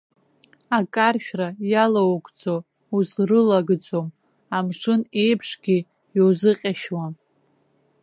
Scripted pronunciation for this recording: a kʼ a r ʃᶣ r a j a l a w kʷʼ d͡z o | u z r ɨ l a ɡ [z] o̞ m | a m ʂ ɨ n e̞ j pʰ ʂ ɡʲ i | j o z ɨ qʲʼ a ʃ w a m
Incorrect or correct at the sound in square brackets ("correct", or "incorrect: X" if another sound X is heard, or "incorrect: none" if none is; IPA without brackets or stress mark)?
incorrect: d͡z